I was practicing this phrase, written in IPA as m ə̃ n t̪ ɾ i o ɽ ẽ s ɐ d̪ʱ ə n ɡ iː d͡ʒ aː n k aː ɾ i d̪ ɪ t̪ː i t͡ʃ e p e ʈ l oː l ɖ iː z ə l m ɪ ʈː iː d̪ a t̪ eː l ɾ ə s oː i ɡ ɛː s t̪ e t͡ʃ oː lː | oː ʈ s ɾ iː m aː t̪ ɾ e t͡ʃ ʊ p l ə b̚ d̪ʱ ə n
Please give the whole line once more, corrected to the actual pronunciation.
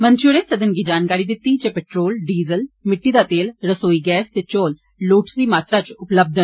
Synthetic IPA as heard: m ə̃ n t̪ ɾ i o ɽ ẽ s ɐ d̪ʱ ə n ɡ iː d͡ʒ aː n k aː ɾ i d̪ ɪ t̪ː i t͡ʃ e p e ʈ ɾ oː l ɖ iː z ə l m ɪ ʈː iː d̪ a t̪ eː l ɾ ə s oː i ɡ ɛː s t̪ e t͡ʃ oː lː | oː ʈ s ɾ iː m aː t̪ ɾ a t͡ʃ ʊ p l ə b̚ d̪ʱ ə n